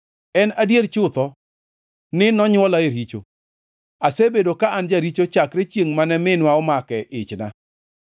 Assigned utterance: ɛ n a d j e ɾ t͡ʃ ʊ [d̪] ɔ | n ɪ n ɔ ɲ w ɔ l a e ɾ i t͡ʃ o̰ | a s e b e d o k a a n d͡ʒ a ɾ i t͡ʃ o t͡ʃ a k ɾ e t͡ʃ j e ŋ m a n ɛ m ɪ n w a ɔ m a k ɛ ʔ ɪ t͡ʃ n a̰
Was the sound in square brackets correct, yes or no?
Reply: no